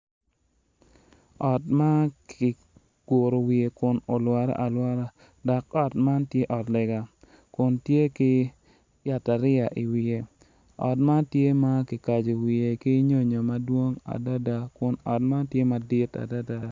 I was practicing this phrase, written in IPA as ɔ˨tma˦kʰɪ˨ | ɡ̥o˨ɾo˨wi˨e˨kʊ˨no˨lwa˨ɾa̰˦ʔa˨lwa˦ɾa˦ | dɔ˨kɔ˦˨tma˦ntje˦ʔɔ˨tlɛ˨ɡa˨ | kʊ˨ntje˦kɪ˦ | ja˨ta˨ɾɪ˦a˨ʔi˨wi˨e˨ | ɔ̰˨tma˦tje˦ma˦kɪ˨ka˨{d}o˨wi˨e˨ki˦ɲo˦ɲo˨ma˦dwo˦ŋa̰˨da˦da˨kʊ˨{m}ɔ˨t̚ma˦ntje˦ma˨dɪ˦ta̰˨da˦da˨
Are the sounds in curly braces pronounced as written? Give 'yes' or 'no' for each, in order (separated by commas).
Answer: no, no